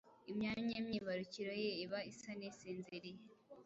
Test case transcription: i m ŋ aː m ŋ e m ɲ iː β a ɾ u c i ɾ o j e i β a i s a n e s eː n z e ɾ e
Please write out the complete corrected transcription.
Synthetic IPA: i m ɲ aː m ɲ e m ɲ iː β a ɾ u c i ɾ o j e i β a i s a n e s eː n z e ɾ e